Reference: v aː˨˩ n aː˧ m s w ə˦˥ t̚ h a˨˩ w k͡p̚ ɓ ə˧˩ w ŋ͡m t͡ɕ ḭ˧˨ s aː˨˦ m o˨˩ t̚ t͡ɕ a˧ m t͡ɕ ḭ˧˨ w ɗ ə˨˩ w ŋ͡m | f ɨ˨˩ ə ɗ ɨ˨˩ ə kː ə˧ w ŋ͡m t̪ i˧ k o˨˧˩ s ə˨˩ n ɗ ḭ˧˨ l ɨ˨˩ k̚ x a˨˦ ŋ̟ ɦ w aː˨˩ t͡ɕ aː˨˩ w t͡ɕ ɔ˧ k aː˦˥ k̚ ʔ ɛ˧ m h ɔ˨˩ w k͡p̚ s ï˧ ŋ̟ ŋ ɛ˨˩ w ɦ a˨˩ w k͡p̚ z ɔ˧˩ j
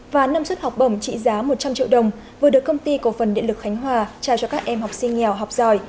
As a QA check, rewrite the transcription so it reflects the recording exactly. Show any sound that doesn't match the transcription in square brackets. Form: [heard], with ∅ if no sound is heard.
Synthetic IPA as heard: v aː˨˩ n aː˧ m s w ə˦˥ t̚ h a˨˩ w k͡p̚ ɓ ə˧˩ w ŋ͡m t͡ɕ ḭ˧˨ [z] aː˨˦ m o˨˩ t̚ t͡ɕ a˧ m t͡ɕ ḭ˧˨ w ɗ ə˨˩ w ŋ͡m | [v] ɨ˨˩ ə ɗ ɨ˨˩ ə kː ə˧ w ŋ͡m t̪ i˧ k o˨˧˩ [f] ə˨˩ n ɗ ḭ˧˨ l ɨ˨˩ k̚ x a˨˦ ŋ̟ ɦ w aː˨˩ t͡ɕ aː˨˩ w t͡ɕ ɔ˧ k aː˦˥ k̚ ʔ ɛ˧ m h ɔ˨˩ w k͡p̚ s ï˧ ŋ̟ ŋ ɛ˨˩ w ɦ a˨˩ w k͡p̚ z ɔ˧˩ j